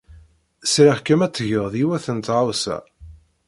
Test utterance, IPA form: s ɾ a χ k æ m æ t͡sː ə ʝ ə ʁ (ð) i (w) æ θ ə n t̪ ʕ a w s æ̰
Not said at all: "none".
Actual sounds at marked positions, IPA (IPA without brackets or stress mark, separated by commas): ð, w